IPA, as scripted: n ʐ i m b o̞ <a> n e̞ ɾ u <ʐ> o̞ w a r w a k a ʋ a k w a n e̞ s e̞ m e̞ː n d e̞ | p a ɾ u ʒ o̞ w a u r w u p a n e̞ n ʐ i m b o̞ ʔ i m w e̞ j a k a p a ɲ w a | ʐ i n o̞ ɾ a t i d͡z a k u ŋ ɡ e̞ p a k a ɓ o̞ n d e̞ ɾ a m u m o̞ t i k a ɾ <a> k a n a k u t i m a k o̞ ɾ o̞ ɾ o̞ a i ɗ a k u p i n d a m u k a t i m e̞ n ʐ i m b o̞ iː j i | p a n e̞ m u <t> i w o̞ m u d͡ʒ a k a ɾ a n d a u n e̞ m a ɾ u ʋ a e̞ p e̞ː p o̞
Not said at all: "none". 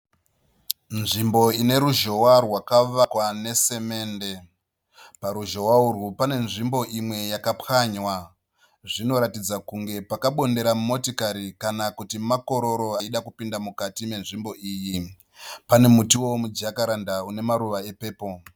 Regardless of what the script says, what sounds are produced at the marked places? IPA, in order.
i, ʒ, i, t

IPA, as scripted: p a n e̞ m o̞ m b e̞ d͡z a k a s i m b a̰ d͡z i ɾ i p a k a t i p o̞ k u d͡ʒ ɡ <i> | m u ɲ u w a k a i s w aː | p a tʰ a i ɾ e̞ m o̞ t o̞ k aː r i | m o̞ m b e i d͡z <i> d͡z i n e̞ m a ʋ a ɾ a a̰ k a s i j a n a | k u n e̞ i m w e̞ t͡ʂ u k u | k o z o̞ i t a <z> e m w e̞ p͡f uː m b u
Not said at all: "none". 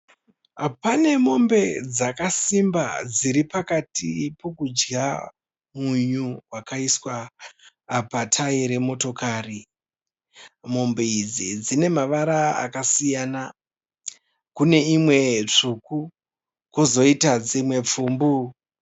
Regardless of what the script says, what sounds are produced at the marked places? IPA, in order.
a, i, d͡z

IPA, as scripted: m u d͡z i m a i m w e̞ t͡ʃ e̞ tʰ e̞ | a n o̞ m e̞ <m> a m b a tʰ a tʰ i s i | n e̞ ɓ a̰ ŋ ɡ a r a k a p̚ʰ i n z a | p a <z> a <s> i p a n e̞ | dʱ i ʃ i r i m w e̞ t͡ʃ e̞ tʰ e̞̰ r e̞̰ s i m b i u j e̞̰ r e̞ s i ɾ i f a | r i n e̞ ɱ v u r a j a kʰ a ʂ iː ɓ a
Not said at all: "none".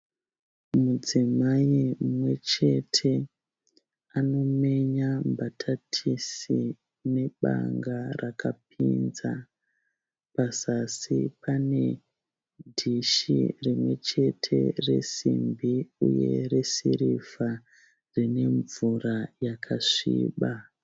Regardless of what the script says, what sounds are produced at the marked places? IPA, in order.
ɲ, s, s

